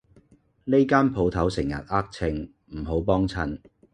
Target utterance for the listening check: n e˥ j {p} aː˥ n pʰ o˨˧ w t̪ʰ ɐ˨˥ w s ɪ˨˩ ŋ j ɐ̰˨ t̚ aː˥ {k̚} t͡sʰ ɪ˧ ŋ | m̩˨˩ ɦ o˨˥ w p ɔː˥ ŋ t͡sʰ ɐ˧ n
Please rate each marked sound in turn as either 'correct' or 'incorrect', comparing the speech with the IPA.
incorrect: k, correct

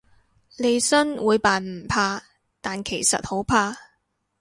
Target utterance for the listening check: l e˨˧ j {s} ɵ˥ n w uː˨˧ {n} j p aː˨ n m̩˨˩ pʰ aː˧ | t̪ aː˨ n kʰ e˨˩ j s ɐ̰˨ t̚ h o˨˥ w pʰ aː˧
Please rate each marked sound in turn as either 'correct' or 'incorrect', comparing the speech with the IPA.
correct, incorrect: none

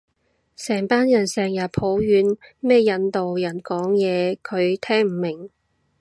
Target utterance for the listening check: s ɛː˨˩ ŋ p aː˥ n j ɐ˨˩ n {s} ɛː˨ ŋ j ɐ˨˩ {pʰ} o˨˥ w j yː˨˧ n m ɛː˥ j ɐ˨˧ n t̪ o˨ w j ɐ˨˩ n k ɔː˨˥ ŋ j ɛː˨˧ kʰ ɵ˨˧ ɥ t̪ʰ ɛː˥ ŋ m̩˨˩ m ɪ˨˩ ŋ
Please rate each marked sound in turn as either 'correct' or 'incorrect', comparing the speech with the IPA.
correct, correct

